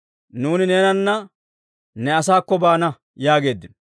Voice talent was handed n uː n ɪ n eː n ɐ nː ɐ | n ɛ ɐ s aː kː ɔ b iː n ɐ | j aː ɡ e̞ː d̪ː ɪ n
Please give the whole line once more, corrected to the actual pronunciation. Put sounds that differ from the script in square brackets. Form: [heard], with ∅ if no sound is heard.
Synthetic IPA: n uː n ɪ n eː n ɐ nː ɐ | n ɛ ɐ s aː kː ɔ b [aː] n ɐ | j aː ɡ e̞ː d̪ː ɪ n